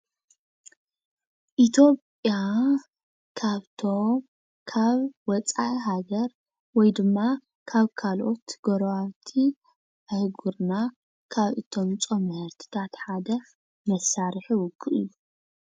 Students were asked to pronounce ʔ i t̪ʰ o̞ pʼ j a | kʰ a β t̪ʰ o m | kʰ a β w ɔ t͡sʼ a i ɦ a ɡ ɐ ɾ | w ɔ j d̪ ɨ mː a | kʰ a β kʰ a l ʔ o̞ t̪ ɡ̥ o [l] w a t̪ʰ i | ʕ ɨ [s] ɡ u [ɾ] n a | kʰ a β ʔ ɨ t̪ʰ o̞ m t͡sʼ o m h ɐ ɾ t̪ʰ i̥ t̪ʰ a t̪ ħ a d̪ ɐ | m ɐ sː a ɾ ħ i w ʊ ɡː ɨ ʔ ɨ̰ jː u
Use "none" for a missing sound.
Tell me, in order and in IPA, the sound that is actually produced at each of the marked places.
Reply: ɾ, h, ɾ

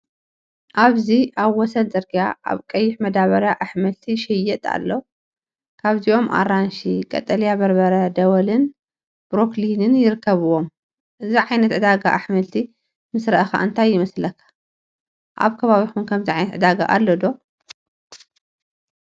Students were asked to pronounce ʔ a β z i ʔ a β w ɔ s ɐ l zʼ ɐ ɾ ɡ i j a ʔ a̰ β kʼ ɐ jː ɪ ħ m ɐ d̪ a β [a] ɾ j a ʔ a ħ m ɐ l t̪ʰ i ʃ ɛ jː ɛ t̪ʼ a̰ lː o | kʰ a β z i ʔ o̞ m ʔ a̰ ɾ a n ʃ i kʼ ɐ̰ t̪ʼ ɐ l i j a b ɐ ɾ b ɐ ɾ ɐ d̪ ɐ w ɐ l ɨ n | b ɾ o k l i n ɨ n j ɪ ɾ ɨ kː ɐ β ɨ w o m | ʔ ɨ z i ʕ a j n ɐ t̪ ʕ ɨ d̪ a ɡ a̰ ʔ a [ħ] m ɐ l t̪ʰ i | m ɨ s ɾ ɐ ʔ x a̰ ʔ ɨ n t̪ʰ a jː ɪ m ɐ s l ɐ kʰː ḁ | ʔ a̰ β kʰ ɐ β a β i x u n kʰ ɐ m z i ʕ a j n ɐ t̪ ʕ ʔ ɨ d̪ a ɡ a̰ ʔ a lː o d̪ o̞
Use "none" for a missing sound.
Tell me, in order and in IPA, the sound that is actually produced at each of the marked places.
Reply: ɐ, ħ

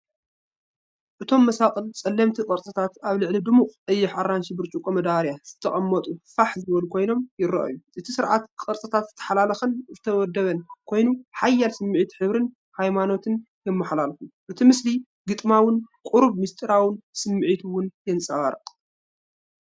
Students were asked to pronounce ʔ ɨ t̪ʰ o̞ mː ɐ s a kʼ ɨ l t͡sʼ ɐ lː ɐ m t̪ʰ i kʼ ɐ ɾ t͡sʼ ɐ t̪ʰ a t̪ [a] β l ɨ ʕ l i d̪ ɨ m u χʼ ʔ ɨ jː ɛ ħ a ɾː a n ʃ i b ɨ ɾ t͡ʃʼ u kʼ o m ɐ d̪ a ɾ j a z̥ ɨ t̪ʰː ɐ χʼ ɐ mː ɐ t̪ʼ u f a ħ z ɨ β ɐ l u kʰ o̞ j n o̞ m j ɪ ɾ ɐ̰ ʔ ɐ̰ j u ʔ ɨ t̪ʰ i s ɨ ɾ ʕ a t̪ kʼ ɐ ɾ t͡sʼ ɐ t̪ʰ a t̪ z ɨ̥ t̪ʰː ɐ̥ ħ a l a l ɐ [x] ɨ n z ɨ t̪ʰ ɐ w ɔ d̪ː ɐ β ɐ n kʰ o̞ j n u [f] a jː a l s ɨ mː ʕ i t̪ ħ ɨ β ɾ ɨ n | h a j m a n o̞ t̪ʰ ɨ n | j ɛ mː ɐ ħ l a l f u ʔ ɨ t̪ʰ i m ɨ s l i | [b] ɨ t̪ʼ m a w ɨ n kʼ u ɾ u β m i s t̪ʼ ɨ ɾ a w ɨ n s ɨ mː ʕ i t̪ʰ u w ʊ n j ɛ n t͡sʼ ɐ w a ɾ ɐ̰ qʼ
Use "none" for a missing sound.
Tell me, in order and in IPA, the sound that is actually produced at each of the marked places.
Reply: a, x, ħ, ɡ

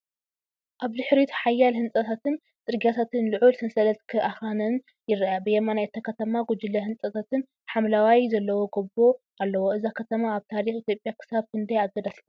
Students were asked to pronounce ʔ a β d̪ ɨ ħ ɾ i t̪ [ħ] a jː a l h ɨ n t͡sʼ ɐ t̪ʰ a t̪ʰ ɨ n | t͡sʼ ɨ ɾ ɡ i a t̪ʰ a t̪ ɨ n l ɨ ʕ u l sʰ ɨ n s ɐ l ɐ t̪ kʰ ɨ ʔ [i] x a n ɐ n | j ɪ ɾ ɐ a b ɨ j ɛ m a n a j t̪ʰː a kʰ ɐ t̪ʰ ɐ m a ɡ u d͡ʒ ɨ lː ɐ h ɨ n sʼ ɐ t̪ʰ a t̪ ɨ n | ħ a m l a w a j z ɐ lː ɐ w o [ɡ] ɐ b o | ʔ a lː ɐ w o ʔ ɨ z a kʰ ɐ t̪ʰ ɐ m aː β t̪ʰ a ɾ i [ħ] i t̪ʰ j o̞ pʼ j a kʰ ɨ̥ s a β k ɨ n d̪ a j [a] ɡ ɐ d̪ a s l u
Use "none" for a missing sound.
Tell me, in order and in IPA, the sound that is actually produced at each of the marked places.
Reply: ħ, a, ɡ, x, a

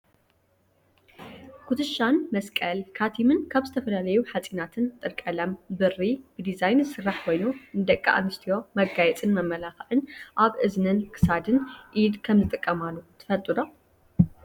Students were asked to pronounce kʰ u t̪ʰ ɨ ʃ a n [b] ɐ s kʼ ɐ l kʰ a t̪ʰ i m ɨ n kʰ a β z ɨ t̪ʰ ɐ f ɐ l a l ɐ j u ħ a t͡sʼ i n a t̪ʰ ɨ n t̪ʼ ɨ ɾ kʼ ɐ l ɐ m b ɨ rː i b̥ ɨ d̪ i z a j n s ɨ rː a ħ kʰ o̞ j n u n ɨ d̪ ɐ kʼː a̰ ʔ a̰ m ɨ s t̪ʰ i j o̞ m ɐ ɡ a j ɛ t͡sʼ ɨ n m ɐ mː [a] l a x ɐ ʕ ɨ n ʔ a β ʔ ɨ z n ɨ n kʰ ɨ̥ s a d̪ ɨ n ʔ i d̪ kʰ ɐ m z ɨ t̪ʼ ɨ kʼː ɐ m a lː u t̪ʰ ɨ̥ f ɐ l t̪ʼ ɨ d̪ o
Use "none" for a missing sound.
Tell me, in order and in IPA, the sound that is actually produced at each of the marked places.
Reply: m, ɐ

